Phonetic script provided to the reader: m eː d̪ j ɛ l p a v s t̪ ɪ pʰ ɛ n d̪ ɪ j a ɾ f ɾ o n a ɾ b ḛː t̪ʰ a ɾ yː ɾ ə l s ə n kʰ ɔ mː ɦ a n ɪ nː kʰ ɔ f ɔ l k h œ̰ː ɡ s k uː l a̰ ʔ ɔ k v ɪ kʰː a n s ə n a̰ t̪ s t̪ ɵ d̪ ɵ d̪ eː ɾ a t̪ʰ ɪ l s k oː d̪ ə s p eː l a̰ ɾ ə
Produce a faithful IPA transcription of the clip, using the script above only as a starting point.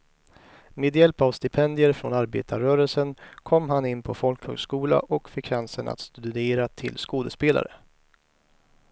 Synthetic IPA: m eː d̪ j ɛ l p a v s t̪ ɪ pʰ ɛ n d̪ ɪ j ə ɾ f ɾ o n a ɾ b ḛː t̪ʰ a ɾ œː ɾ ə l s ə n kʰ ɔ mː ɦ a n ɪ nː pʰ ɔ f ɔ l k h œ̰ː ɡ s k uː l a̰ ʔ ɔ k f ɪ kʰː a n s ə n a̰ t̪ s t̪ ɵ d̪ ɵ d̪ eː ɾ a t̪ʰ ɪ l s k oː d̪ ə s p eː l a̰ ɾ ə